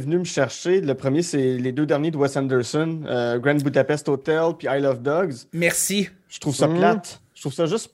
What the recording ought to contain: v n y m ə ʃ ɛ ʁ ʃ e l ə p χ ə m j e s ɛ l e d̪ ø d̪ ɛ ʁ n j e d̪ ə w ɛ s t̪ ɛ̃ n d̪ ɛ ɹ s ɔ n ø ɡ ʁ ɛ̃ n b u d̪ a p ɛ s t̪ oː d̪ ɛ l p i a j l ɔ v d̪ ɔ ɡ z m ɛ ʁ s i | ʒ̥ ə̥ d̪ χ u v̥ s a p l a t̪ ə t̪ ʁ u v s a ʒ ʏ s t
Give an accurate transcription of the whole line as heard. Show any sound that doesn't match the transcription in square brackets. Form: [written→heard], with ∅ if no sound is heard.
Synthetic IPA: v n y m ə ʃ ɛ ʁ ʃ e l ə p χ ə m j e s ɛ l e d̪ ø d̪ ɛ ʁ n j e d̪ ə w ɛ s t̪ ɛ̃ n d̪ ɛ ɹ s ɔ n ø ɡ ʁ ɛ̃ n b u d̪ a p ɛ s t̪ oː [d̪→t̪] ɛ l p i a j l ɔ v d̪ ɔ ɡ z m ɛ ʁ s i | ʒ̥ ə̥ [d̪→t̪] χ u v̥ s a p l a t̪ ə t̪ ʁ u v s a ʒ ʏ s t